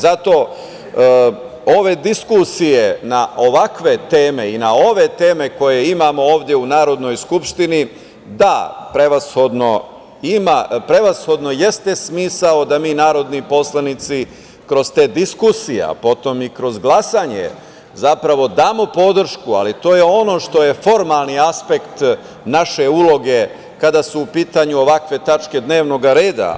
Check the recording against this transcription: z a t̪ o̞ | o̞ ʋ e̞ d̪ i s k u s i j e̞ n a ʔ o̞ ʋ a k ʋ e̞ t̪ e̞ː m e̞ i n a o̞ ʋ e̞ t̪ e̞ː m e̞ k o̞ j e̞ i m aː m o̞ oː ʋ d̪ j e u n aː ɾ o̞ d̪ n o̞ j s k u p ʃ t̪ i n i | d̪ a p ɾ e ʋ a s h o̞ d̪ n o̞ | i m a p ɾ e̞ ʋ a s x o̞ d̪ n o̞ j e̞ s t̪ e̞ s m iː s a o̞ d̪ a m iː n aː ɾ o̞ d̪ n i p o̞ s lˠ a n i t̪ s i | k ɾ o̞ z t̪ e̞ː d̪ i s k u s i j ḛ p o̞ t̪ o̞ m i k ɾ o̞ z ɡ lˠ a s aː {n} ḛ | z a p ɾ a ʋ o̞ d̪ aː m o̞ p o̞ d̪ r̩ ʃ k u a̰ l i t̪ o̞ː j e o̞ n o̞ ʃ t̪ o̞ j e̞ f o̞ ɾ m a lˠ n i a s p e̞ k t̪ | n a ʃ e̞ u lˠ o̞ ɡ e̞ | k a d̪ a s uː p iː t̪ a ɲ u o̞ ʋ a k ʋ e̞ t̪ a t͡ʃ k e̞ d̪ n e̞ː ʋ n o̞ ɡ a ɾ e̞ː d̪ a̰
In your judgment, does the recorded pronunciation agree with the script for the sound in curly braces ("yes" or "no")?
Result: no